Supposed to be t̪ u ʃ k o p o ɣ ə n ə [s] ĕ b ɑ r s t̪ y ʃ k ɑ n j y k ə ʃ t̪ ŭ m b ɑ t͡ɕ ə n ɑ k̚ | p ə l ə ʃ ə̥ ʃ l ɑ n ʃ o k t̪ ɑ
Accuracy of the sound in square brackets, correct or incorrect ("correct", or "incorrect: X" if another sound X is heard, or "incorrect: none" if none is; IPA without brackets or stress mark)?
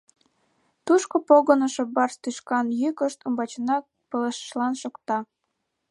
incorrect: ʃ